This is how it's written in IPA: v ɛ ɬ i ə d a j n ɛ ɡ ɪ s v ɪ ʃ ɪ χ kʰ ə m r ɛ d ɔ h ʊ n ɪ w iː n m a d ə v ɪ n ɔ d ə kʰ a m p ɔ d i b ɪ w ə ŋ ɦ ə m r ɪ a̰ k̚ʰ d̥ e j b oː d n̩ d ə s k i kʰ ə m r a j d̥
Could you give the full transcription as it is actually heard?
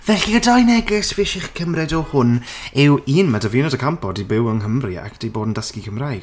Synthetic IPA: v ɛ ɬ i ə d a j n ɛ ɡ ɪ s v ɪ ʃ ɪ χ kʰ ə m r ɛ d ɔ h ʊ n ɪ w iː n m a d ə v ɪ n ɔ d ə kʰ a m p ɔ d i b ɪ w ə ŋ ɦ ə m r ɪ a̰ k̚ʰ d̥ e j b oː d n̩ d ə s k i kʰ ə m r a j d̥

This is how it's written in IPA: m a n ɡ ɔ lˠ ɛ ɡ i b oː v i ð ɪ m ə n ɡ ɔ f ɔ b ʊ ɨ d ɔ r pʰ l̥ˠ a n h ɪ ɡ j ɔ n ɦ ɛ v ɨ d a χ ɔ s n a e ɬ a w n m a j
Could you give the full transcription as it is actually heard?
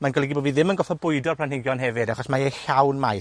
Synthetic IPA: m a n ɡ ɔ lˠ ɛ ɡ i b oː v i ð ɪ m ə n ɡ ɔ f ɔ b ʊ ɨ d ɔ r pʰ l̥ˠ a n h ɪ ɡ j ɔ n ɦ ɛ v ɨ d a χ ɔ s m a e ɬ a w n m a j

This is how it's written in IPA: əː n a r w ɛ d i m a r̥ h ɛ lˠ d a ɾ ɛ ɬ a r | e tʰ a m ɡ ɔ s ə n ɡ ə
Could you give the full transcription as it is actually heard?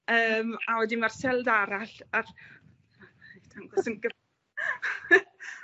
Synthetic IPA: əː m a w ɛ d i m a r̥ s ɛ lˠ d a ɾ a ɬ a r | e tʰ a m ɡ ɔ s ə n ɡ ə

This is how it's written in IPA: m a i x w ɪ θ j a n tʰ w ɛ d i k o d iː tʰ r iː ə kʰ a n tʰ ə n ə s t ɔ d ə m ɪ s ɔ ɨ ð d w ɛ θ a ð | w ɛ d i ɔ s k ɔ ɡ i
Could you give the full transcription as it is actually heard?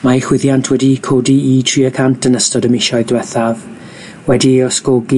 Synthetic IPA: m a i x w ɪ ð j a n tʰ w ɛ d i kʰ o d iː tʰ r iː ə kʰ a n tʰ ə n ə s t ɔ d ə m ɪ ʃ ɔ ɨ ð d w ɛ θ a v | w ɛ d i ɔ s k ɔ ɡ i

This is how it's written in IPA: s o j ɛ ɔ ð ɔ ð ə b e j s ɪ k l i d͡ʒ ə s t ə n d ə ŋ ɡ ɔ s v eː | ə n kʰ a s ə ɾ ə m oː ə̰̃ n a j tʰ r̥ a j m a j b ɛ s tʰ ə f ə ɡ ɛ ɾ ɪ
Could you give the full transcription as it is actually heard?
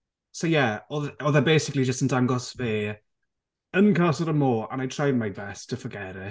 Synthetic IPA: s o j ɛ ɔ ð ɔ ð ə b e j s ɪ k l i d͡ʒ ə s t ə n d a ŋ ɡ ɔ s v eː | ə n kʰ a s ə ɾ ə m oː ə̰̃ n a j tʰ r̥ a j m a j b ɛ s tʰ ə f ə ɡ ɛ ɾ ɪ

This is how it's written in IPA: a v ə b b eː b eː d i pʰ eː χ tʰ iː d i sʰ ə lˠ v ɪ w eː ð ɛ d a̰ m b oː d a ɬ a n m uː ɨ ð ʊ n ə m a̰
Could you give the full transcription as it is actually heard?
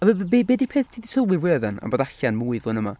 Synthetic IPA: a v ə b b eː b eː d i pʰ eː θ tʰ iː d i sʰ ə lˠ w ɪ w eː ð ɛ n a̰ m b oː d a ɬ a n m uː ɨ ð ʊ n ə m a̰

